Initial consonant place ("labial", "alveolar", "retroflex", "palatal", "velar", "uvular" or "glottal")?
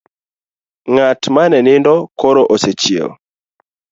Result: velar